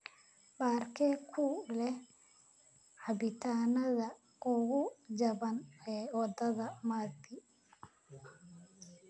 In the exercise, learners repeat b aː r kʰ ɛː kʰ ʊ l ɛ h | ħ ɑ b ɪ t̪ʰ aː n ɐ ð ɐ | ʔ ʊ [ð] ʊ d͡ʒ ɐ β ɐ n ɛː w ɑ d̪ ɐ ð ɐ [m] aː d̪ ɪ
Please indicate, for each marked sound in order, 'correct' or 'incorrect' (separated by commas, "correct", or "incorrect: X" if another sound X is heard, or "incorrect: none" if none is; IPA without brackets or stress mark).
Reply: incorrect: ɣ, correct